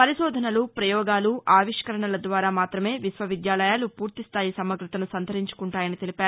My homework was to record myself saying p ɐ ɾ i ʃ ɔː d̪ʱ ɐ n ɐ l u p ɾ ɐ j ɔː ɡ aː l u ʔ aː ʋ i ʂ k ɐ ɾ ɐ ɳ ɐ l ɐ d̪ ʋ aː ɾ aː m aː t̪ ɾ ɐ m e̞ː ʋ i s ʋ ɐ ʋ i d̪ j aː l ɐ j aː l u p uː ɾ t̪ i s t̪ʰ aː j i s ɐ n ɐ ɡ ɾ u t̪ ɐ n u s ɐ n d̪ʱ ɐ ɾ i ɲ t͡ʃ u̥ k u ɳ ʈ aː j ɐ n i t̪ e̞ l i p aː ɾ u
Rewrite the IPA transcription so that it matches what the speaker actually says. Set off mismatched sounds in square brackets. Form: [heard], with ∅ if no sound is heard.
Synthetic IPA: p ɐ ɾ i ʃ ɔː d̪ʱ ɐ n ɐ l u p ɾ ɐ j ɔː ɡ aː l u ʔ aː ʋ i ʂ k ɐ ɾ ɐ ɳ ɐ l ɐ d̪ ʋ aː ɾ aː m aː t̪ ɾ ɐ m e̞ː ʋ i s ʋ ɐ ʋ i d̪ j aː l ɐ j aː l u p uː ɾ t̪ i s t̪ʰ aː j i s ɐ [m] ɐ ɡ ɾ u t̪ ɐ n u s ɐ n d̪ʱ ɐ ɾ i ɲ t͡ʃ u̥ k u ɳ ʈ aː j ɐ n i t̪ e̞ l i p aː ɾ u